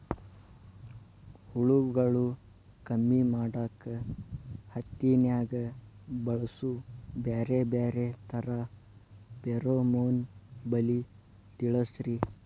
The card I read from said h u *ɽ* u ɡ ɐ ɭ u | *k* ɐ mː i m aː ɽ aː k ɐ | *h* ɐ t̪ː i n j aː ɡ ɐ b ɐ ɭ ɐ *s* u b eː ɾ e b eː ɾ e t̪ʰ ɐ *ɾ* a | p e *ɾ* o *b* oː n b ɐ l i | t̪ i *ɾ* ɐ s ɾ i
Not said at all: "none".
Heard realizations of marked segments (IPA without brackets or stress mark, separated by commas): ɭ, k, h, s, ɾ, ɾ, m, ɭ